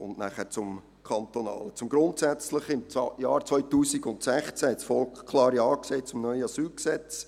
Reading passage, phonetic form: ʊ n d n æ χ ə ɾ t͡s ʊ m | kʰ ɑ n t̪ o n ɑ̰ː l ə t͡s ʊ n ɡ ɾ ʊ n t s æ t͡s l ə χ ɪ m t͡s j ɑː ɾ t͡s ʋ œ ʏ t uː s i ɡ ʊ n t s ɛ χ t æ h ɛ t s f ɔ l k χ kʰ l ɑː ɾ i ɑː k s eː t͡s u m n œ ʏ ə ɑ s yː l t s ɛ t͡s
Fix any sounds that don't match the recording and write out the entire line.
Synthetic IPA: ʊ n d n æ χ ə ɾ t͡s ʊ m | kʰ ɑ n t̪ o n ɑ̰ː l ə t͡s ʊ m ɡ ɾ ʊ n t s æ t͡s l ə χ ɪ m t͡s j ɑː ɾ t͡s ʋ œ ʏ t uː s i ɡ ʊ n t s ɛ χ t͡s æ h ɛ t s f ɔ l k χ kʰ l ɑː ɾ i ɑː k s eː t͡s ʊ m n œ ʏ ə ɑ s yː l k s ɛ t͡s